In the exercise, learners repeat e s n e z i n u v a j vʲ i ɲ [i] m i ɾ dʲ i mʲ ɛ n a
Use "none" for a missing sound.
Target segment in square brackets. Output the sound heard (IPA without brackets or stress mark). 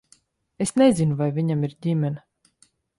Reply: a